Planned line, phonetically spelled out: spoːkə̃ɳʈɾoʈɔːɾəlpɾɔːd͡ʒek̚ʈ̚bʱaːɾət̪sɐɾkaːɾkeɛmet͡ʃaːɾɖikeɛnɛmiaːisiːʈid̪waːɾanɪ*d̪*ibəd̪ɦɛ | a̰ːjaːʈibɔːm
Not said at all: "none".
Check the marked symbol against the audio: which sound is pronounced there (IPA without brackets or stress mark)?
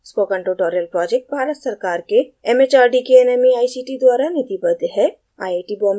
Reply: t̪